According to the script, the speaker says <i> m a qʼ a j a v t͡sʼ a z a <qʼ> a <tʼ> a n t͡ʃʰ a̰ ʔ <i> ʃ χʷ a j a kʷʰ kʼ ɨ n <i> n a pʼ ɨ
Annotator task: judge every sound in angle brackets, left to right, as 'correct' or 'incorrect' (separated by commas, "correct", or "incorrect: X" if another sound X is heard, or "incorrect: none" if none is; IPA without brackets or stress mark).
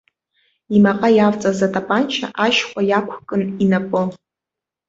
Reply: correct, incorrect: tʼ, incorrect: pʼ, incorrect: a, correct